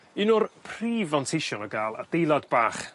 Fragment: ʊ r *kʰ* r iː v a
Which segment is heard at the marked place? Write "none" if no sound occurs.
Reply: pʰ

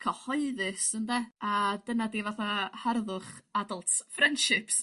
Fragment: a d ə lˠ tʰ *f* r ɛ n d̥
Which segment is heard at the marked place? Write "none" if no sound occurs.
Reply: f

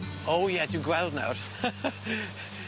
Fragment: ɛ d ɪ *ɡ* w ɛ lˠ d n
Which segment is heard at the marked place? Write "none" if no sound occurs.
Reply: ɡ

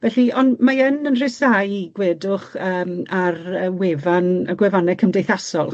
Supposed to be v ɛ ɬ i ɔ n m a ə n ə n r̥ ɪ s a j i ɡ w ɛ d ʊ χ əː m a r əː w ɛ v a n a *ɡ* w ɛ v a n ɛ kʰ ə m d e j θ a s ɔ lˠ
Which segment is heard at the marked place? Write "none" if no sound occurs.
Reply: ɡ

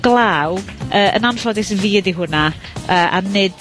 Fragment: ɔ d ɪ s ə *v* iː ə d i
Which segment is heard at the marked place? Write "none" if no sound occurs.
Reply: v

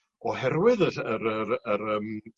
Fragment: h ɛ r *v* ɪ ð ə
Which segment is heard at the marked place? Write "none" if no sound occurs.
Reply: w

